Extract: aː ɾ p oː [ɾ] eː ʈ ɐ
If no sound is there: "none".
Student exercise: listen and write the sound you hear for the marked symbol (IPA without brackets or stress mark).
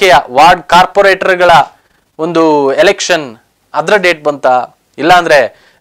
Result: ɾ